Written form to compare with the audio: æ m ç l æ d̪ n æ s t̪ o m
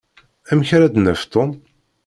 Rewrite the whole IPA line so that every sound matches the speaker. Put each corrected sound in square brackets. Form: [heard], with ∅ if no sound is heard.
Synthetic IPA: æ m ç [ɾ] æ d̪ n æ [f] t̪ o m